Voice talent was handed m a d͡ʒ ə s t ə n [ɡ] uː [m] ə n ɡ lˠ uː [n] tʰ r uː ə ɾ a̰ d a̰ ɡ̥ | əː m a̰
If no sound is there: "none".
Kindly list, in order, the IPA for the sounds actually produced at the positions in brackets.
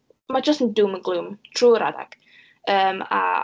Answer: d, m, m

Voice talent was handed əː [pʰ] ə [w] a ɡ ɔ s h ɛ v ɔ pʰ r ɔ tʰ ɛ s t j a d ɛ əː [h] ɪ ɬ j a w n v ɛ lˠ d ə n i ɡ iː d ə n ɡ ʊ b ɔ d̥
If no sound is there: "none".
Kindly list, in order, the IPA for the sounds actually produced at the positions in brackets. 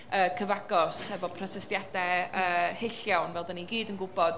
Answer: kʰ, v, h

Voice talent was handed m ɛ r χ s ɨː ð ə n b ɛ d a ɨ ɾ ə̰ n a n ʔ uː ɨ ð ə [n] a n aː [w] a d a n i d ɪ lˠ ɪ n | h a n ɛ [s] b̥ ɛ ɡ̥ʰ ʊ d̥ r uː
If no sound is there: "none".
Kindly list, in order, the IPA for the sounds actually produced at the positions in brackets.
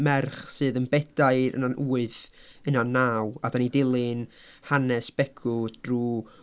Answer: n, w, s

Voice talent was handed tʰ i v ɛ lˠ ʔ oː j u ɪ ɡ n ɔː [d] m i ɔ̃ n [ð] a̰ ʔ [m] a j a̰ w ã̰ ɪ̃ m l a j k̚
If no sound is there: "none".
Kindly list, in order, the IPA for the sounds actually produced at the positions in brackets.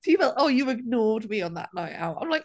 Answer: d, ð, n

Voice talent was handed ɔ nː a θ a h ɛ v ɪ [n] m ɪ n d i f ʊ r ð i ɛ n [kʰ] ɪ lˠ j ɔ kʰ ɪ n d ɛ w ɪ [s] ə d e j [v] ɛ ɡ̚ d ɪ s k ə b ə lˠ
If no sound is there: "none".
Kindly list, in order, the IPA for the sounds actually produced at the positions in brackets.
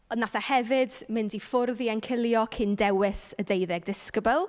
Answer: d, kʰ, s, ð

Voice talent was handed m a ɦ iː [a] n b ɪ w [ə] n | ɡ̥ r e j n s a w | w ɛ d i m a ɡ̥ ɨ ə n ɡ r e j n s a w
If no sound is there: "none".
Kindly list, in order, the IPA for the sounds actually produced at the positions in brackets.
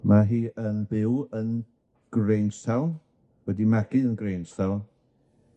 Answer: ə, ə

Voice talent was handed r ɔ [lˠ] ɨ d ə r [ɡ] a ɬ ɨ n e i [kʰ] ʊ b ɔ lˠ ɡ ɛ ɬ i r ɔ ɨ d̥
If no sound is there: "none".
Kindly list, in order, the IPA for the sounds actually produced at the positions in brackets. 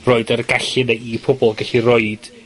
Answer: none, ɡ, pʰ

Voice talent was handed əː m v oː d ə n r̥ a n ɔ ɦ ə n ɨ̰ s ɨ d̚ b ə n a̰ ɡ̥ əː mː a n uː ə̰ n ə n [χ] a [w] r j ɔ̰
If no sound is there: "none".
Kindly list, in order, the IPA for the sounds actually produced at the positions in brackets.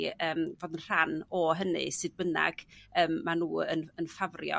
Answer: f, v

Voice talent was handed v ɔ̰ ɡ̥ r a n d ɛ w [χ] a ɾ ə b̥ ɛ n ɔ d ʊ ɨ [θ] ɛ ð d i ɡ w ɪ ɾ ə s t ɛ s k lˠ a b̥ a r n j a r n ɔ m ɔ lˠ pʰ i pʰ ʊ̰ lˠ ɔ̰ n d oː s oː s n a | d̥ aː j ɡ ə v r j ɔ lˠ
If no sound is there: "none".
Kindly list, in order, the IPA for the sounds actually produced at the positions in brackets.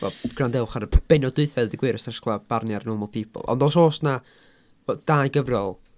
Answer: χ, θ

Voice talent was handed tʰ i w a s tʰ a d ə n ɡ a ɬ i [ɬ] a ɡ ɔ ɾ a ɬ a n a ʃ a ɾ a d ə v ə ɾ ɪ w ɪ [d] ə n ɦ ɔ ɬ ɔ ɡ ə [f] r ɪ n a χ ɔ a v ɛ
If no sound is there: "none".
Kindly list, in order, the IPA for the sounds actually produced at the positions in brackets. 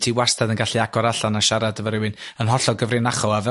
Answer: none, n, v

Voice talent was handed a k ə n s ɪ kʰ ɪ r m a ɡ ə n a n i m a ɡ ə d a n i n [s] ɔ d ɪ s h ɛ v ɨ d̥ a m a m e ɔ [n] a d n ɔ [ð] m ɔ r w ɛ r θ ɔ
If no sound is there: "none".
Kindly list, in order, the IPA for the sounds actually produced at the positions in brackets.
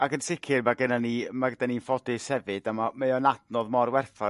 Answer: f, n, ð

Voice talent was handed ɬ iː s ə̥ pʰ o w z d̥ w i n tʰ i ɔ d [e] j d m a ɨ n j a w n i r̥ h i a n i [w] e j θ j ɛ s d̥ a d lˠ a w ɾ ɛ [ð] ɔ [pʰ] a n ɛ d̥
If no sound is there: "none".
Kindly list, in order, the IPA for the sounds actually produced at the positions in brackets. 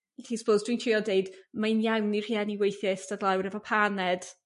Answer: e, w, v, pʰ

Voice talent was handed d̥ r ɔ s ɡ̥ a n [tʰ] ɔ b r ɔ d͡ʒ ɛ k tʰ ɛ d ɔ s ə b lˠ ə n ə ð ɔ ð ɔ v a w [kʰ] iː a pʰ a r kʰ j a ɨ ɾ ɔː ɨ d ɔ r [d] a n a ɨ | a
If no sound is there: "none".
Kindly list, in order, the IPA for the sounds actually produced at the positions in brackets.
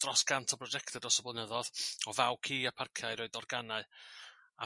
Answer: tʰ, kʰ, ɡ

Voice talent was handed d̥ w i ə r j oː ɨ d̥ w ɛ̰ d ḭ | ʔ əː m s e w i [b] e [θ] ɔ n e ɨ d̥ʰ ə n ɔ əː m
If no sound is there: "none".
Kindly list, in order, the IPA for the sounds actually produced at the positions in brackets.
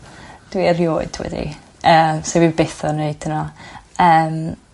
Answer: b, θ

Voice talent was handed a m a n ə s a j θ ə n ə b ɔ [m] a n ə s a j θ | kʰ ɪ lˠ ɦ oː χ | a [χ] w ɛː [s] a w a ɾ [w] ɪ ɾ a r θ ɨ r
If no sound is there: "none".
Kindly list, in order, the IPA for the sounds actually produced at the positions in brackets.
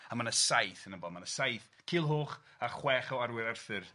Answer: m, χ, χ, w

